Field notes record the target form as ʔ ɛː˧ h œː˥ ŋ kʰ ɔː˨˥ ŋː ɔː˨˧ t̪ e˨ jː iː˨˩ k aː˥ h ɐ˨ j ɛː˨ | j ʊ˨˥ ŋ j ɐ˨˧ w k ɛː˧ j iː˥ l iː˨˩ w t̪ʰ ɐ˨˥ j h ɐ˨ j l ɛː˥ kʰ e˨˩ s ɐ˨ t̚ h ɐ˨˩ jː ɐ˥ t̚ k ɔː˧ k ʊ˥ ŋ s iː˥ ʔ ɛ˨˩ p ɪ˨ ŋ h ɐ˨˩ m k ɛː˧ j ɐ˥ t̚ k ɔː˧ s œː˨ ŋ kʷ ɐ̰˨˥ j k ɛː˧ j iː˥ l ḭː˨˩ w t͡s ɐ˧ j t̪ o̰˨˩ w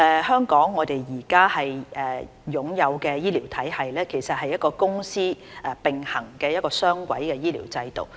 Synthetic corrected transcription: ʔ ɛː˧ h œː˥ ŋ k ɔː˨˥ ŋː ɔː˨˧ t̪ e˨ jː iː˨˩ k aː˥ h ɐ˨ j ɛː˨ | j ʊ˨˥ ŋ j ɐ˨˧ w k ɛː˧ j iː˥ l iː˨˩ w t̪ʰ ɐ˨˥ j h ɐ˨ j l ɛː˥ kʰ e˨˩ s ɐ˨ t̚ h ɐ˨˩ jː ɐ˥ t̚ k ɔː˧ k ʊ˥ ŋ s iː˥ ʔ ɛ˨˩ p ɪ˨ ŋ h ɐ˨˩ ŋ k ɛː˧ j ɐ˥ t̚ k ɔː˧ s œː˥ ŋ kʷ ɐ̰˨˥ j k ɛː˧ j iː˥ l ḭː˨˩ w t͡s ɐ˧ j t̪ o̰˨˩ w